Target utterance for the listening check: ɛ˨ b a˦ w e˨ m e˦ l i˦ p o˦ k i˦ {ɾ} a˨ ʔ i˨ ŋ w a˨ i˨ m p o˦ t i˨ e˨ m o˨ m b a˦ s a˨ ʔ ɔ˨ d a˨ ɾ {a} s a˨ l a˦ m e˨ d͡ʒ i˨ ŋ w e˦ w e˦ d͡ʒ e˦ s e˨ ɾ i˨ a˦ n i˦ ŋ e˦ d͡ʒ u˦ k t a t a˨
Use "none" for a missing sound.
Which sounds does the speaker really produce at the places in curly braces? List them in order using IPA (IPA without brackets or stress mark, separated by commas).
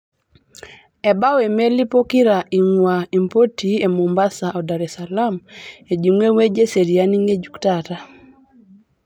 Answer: ɾ, ɛ